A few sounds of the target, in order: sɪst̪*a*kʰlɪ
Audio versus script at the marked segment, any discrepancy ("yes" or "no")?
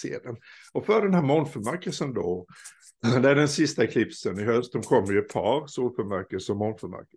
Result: no